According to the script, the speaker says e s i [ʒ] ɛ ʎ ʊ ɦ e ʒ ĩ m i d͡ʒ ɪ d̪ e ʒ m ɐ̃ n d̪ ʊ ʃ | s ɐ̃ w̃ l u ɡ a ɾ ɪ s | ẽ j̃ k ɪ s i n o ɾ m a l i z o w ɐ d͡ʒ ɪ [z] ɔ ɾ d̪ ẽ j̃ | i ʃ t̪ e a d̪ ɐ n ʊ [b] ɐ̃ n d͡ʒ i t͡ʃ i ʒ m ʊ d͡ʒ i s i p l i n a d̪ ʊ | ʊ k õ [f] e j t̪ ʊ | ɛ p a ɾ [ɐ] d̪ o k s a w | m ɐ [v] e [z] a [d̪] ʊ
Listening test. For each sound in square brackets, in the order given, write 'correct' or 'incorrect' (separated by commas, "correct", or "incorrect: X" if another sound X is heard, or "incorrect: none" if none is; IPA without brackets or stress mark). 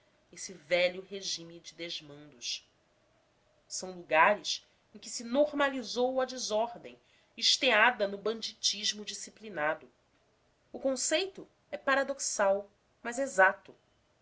incorrect: v, correct, correct, incorrect: s, incorrect: a, incorrect: z, correct, incorrect: t̪